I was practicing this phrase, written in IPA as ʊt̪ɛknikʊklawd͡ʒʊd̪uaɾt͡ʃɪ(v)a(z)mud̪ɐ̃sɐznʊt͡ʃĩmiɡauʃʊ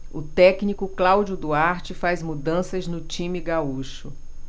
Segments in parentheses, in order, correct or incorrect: incorrect, correct

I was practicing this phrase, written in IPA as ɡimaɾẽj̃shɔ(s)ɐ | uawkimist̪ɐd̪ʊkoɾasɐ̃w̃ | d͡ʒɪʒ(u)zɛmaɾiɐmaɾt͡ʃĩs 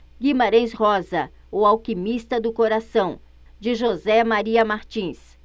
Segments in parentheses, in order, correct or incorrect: incorrect, incorrect

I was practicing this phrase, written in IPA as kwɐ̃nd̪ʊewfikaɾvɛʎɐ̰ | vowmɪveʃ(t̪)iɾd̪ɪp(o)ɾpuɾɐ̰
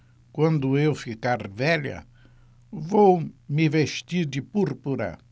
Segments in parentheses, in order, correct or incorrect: correct, incorrect

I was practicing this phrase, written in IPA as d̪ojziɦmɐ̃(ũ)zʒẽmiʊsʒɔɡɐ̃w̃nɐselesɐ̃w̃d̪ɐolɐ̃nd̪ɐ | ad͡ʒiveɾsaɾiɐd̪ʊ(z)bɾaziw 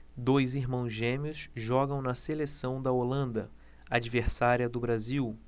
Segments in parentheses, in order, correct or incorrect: incorrect, incorrect

